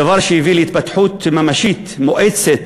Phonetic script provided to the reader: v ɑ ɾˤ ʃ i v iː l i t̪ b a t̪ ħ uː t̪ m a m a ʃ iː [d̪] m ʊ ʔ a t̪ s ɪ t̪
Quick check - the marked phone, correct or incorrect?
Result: incorrect